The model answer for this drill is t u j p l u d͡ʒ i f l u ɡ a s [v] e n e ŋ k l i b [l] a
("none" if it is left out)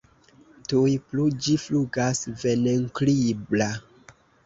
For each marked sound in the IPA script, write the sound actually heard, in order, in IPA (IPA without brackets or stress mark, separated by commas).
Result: v, l